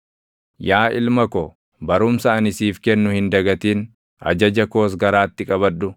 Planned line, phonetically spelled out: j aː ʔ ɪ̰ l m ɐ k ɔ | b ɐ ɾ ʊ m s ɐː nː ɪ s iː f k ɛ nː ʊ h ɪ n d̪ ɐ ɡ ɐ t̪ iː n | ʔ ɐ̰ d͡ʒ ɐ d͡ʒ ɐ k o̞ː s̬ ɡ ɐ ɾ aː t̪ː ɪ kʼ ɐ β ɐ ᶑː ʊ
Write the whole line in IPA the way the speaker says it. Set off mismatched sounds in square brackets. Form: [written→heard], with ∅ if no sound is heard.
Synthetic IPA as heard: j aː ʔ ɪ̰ l m ɐ k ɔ | b ɐ ɾ ʊ m s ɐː [nː→n] ɪ s iː f k ɛ nː ʊ h ɪ n d̪ ɐ ɡ ɐ t̪ iː n | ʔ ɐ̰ d͡ʒ ɐ d͡ʒ ɐ k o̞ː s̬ ɡ ɐ ɾ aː t̪ː ɪ kʼ ɐ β ɐ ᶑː ʊ